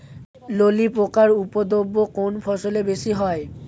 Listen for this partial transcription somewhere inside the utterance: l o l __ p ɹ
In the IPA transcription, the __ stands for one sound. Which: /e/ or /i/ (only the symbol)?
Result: i